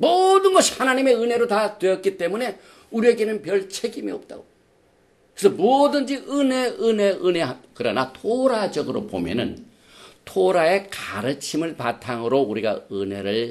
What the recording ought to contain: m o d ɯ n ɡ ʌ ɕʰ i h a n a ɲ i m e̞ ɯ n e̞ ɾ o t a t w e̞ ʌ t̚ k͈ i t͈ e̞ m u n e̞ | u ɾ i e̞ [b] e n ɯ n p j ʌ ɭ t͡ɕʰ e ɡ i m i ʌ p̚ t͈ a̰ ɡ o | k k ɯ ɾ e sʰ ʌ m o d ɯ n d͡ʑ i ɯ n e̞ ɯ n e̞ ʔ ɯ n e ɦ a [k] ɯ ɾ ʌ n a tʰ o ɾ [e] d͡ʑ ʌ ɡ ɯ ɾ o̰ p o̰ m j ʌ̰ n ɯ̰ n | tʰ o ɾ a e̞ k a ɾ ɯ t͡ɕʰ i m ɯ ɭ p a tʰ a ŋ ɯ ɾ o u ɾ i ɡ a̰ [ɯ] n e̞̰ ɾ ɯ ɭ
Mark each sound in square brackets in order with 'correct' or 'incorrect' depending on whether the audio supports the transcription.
incorrect, correct, incorrect, correct

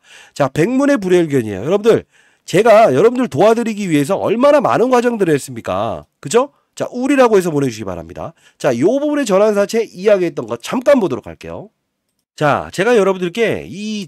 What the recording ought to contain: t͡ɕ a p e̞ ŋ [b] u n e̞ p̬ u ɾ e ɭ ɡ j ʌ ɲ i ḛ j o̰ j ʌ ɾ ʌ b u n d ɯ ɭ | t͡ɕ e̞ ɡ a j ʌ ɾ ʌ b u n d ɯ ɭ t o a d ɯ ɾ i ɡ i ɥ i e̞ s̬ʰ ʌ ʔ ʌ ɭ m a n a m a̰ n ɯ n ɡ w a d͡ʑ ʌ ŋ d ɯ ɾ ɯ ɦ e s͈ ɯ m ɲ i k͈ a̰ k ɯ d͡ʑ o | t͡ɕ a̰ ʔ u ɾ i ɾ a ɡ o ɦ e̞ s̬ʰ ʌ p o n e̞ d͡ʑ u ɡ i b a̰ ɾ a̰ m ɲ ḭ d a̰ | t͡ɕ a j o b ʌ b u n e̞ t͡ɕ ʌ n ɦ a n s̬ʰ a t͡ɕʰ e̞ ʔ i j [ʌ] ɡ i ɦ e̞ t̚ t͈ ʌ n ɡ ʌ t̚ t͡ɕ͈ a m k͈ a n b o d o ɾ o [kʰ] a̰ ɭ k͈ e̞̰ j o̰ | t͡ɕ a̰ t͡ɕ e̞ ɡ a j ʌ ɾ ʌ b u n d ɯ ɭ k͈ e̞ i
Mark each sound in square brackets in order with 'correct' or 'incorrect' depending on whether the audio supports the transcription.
incorrect, incorrect, correct

